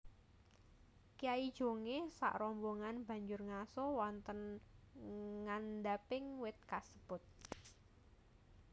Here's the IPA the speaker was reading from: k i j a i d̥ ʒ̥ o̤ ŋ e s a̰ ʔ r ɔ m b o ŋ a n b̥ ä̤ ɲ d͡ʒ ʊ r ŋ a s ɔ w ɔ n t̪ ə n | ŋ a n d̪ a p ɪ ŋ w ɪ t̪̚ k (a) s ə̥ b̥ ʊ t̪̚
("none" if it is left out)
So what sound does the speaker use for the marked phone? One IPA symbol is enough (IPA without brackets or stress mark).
a